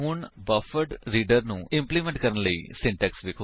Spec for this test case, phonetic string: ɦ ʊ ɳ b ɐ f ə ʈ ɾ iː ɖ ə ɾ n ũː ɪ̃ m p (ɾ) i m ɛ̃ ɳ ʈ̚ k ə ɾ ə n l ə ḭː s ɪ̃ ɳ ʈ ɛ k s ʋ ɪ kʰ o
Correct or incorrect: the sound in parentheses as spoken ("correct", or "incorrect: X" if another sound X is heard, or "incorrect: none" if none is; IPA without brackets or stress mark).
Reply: incorrect: l